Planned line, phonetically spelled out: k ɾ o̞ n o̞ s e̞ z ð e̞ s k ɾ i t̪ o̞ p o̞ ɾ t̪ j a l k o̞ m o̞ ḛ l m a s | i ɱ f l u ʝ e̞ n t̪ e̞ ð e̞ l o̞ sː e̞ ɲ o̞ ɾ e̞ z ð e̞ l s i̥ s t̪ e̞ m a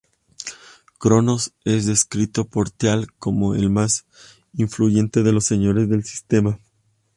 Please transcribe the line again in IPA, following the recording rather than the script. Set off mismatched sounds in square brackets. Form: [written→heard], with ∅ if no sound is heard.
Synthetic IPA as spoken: k ɾ o̞ n o̞ s e̞ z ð e̞ s k ɾ i t̪ o̞ p o̞ ɾ t̪ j a l k o̞ m o̞ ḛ l m a s | i ɱ f l u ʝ e̞ n t̪ e̞ ð e̞ l o̞ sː e̞ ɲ o̞ ɾ e̞ z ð e̞ l s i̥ s t̪ e̞ m a